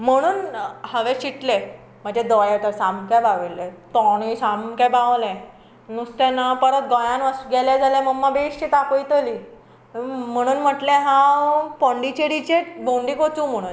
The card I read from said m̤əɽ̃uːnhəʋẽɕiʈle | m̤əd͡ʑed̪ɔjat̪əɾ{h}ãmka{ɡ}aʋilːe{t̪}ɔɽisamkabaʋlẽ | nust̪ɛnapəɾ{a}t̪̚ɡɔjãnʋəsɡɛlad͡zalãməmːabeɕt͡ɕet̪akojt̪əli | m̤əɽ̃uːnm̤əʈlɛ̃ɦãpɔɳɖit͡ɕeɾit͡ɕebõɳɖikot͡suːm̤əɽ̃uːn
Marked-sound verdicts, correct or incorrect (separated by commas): incorrect, incorrect, correct, incorrect